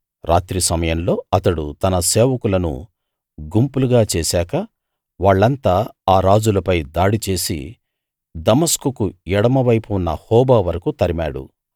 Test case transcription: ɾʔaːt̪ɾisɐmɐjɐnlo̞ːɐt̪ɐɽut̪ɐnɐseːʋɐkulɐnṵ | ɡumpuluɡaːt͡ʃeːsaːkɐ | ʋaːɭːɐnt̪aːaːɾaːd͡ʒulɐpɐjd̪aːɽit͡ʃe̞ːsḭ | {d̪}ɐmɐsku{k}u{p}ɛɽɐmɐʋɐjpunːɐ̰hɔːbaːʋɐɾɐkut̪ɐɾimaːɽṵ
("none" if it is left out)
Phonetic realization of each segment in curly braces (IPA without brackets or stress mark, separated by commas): d̪, k, none